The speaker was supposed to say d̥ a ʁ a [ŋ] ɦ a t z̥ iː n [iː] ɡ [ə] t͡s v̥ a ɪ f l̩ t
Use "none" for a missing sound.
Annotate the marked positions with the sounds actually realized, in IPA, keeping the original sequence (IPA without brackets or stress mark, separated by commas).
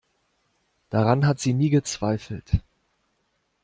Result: n, iː, ə